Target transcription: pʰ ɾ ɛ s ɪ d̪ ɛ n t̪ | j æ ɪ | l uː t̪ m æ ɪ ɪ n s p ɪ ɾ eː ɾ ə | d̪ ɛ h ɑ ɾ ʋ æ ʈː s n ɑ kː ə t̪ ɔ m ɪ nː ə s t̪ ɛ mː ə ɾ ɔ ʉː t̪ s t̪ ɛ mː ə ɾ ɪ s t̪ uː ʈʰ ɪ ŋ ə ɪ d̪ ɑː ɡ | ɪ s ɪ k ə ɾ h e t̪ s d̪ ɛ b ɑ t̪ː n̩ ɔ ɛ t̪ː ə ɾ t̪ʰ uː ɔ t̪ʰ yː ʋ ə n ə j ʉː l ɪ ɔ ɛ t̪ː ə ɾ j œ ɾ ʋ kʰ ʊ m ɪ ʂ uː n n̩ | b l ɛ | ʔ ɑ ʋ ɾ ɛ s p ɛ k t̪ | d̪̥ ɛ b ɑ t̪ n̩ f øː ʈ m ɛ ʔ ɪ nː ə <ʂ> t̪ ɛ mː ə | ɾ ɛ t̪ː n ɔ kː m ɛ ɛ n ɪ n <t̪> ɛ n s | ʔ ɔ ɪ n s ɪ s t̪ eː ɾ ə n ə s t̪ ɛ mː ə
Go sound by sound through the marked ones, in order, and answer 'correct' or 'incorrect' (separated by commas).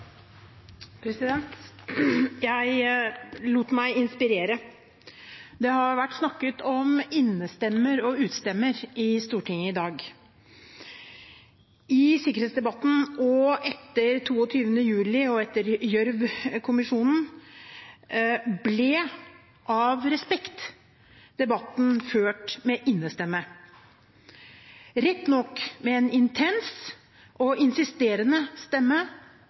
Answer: incorrect, incorrect